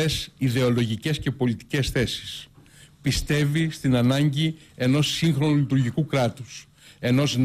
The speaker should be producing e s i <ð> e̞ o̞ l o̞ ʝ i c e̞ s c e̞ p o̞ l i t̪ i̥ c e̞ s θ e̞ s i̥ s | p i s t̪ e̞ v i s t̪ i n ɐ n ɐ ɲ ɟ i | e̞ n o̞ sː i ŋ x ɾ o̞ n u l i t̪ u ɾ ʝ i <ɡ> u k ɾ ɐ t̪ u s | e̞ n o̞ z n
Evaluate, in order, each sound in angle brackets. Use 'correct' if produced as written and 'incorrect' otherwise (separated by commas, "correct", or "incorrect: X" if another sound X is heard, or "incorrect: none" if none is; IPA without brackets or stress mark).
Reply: correct, incorrect: k